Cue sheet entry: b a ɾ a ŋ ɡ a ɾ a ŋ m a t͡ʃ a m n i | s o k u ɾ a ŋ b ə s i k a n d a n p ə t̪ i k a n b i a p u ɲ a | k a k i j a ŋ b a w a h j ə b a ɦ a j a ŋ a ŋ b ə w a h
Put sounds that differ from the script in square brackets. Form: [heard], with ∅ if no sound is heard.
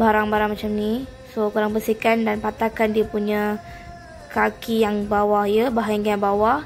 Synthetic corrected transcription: b a ɾ a ŋ [b] a ɾ a ŋ m a t͡ʃ a m n i | s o k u ɾ a ŋ b ə s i k a n d a n p [a] t̪ [a] k a n [d] i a p u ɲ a | k a k i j a ŋ b a w a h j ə b a ɦ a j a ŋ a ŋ b [a] w a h